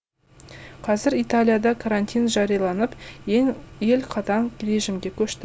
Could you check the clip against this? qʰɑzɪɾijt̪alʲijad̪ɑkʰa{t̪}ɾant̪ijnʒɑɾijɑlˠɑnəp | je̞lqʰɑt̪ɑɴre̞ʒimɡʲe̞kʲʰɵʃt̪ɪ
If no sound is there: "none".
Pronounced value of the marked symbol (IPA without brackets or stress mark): none